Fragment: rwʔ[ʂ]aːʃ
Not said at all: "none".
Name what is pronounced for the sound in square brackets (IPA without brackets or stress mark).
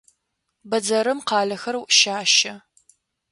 ʃ